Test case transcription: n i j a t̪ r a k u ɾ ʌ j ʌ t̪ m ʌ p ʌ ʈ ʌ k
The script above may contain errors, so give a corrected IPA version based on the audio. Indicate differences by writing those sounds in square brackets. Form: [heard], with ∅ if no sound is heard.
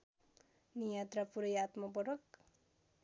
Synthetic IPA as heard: n i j a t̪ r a [p] u ɾ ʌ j [a] t̪ m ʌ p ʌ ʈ ʌ k